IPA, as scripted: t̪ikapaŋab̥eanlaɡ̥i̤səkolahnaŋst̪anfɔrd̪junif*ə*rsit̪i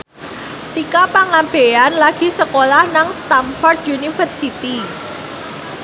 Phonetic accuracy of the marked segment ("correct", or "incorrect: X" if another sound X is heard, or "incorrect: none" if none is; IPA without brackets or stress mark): correct